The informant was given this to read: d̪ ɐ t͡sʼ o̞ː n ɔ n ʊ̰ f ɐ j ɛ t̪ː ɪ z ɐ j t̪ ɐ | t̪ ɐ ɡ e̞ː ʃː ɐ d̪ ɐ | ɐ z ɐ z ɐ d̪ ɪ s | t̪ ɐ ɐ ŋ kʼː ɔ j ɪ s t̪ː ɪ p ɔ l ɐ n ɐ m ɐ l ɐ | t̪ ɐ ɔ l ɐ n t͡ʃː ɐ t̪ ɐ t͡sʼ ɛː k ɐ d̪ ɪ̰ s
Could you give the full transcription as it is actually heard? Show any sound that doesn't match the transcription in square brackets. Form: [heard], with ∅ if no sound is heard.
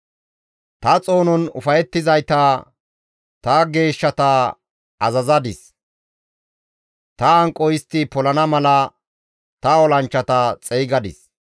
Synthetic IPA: [t̪] ɐ t͡sʼ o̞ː n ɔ n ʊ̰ f ɐ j ɛ t̪ː ɪ z ɐ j t̪ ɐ | t̪ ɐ ɡ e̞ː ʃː ɐ [t̪] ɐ | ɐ z ɐ z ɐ d̪ ɪ s | t̪ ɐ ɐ ŋ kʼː ɔ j ɪ s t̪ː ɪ p ɔ l ɐ n ɐ m ɐ l ɐ | t̪ ɐ ɔ l ɐ n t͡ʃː ɐ t̪ ɐ t͡sʼ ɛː [ɡ] ɐ d̪ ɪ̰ s